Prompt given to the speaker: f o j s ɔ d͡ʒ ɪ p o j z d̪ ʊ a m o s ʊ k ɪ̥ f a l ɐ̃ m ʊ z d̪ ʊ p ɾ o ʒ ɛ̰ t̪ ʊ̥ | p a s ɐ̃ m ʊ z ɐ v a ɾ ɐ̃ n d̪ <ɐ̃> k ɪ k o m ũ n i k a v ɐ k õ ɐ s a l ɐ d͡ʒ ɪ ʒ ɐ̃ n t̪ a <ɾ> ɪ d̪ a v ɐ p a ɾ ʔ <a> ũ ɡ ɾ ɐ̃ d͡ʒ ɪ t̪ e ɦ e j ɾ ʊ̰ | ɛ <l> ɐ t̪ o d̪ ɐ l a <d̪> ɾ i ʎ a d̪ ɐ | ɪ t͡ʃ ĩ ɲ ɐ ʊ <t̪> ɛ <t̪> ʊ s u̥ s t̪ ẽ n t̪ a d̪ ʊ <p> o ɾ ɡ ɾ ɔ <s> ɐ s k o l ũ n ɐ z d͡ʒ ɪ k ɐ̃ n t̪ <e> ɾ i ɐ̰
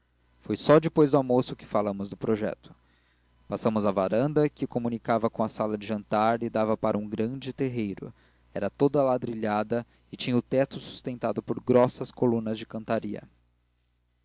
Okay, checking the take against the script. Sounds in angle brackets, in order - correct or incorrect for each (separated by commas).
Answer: incorrect, correct, incorrect, incorrect, correct, correct, correct, correct, correct, incorrect